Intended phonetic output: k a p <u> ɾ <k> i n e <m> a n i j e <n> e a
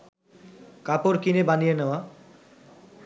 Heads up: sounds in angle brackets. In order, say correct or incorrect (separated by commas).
incorrect, correct, incorrect, correct